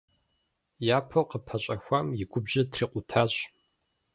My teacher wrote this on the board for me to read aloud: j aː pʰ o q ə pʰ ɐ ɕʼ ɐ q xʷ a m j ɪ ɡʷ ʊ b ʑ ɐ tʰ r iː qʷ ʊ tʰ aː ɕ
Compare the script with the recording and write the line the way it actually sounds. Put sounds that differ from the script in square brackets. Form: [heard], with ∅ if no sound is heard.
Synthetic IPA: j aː pʰ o q ə pʰ ɐ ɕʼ ɐ [∅] xʷ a m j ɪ ɡʷ ʊ b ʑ ɐ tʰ r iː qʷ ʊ tʰ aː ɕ